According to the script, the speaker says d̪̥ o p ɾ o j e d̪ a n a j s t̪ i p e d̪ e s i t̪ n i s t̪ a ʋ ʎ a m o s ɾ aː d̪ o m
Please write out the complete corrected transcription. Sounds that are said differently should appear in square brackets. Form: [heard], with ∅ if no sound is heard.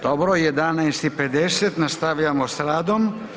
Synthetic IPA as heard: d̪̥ o [b] ɾ o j e d̪ a n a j s t̪ i p e d̪ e s [e] t̪ n [a] s t̪ a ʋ ʎ a m o s ɾ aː d̪ o m